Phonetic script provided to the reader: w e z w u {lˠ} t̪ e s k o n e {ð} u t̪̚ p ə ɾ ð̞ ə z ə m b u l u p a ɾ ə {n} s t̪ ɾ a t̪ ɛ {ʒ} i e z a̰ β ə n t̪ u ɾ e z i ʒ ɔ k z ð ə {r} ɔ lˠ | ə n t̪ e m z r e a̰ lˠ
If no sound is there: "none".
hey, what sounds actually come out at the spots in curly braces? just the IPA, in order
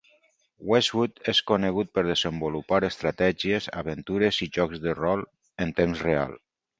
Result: none, ɣ, none, ʒ, r

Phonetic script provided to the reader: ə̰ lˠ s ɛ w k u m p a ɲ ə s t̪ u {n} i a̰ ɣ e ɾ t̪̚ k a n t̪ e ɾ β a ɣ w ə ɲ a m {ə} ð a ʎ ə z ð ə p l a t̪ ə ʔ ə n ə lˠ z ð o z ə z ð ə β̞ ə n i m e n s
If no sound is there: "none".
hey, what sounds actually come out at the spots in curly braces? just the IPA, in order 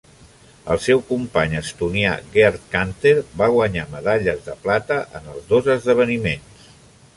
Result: n, ə

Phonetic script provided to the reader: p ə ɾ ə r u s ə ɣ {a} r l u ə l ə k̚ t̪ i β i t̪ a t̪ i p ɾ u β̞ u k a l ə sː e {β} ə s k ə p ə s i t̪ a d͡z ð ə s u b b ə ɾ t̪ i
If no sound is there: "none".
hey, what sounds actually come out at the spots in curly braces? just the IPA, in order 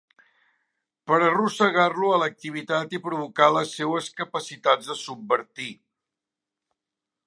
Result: a, w

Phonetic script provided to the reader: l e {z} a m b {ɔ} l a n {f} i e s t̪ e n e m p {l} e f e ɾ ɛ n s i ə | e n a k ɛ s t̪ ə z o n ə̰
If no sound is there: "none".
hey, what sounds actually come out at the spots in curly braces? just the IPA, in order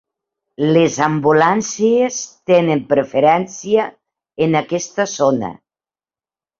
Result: z, u, s, ɾ

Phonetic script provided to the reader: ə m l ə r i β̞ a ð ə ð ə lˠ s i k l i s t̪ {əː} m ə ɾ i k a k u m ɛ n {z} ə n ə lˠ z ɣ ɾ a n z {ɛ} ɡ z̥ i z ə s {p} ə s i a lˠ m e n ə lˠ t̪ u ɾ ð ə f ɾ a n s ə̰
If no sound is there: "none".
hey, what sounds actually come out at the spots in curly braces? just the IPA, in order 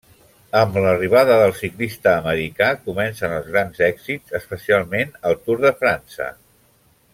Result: əː, s, ɛ, p

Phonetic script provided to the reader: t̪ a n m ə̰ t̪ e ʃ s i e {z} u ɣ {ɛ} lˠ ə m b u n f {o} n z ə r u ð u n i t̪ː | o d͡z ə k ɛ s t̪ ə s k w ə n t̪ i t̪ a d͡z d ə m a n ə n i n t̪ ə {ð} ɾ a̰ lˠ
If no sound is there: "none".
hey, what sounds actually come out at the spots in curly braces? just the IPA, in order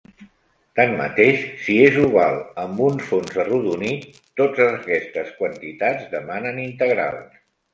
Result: z, a, o, ɣ

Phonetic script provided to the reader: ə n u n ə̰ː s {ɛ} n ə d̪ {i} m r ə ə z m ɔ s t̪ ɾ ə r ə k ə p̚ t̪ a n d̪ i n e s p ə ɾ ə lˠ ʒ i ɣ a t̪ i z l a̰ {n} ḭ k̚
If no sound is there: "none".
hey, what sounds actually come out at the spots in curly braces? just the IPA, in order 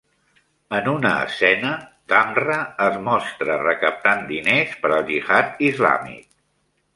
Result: ɛ, a, m

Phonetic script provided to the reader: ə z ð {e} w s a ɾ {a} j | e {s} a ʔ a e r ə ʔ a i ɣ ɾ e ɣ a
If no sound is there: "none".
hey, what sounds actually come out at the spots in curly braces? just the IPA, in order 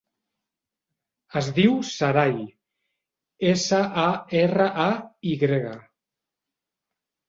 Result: i, a, s

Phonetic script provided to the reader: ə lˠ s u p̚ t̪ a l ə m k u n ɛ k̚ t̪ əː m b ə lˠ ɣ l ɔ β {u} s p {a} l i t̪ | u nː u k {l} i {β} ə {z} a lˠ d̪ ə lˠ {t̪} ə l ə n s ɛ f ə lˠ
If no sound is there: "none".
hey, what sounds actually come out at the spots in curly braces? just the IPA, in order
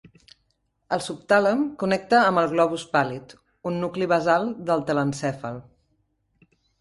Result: u, a, l, β, z, t̪

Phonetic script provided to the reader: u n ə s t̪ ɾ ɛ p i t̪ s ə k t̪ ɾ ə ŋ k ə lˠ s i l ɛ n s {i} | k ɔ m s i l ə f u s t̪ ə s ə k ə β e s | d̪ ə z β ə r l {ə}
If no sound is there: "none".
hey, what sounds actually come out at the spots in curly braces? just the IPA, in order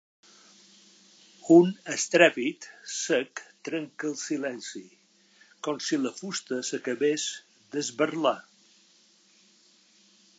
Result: i, a

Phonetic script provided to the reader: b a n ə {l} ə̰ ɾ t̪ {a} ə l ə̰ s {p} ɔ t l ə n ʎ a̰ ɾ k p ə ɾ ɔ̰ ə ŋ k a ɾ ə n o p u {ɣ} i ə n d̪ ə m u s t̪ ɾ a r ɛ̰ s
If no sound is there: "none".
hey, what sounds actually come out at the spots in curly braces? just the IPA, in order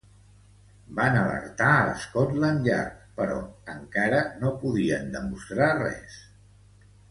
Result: l, a, k, ð

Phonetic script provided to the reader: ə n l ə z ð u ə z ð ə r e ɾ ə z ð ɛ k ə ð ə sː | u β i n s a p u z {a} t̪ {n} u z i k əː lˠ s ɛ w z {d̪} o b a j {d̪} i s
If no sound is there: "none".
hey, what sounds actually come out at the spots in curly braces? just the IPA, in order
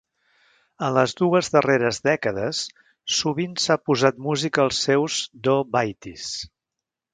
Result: a, m, d̪, t̪

